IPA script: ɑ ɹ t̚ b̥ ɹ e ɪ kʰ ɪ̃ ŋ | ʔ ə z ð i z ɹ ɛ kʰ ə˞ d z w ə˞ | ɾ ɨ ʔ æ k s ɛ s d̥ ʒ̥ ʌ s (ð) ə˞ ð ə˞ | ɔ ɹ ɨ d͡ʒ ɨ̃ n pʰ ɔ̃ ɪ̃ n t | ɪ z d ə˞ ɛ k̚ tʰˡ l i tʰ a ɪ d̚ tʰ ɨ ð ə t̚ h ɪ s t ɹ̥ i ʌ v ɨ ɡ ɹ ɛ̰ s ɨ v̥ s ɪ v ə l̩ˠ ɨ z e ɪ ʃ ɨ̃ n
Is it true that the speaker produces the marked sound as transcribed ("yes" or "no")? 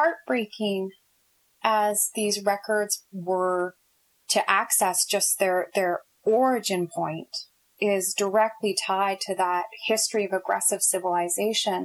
yes